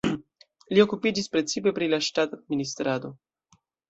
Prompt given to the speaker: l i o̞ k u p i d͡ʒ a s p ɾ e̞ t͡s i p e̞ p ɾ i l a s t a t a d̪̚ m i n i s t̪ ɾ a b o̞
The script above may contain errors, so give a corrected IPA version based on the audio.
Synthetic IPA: l i o̞ k u p i d͡ʒ i s p ɾ e̞ t͡s i p e̞ p ɾ i l a ʃ t a t a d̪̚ m i n i s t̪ ɾ a d o̞